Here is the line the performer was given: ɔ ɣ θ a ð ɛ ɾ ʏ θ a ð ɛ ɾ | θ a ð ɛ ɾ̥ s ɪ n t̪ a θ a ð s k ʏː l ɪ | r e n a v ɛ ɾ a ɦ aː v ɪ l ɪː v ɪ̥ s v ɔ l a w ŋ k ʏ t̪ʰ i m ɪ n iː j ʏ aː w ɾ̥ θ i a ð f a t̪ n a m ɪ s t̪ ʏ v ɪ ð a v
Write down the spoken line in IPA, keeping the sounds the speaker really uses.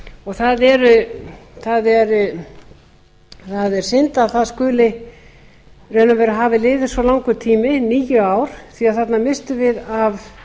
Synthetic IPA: ɔ ɣ θ a ð ɛ ɾ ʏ θ a ð ɛ ɾ | θ a ð ɛ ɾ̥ s ɪ n t̪ a θ a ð s k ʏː l ɪ | r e n a v ɛ ɾ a ɦ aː v ɪ l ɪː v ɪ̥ s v ɔ l a w ŋ k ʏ t̪ʰ iː m ɪ n iː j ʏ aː w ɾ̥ θ i a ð θ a t̪ n a m ɪ s t̪ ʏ v ɪ ð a v